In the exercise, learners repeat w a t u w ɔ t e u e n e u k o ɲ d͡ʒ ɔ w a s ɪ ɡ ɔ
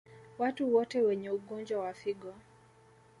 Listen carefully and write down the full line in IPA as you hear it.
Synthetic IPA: w a t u w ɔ t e w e ɲ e u ɡ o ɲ d͡ʒ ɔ w a f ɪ ɡ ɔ